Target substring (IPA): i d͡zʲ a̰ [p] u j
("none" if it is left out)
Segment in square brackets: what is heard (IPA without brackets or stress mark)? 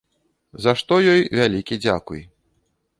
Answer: k